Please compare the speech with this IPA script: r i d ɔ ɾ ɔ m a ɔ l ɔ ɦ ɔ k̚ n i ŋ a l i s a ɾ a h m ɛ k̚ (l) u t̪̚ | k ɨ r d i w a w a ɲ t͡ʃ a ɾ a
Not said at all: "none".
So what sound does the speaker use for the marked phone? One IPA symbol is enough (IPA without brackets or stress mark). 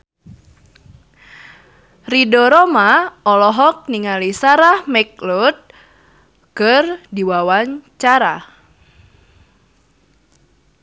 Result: l